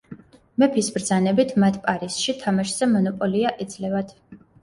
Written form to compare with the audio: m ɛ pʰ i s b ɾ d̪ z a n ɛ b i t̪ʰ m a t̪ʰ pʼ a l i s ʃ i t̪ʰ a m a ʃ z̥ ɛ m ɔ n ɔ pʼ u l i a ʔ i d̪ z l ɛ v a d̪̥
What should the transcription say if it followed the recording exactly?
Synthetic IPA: m ɛ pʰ i s b ɾ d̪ z a n ɛ b i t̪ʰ m a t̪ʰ pʼ a ɾ i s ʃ i t̪ʰ a m a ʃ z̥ ɛ m ɔ n ɔ pʼ ɔ l i a ʔ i d̪ z l ɛ v a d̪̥